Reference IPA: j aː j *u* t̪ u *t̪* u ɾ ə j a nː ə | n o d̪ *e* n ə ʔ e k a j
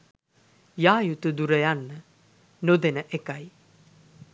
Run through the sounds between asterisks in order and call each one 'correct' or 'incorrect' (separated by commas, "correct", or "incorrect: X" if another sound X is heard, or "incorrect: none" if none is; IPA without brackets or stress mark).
correct, incorrect: d̪, correct